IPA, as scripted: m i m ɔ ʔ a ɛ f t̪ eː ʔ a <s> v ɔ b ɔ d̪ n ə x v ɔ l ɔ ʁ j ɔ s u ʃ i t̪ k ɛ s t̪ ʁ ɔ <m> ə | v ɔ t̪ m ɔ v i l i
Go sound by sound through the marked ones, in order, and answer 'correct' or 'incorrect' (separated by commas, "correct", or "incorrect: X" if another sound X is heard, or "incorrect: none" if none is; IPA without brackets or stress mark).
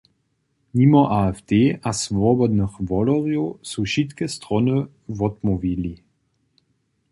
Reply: correct, incorrect: n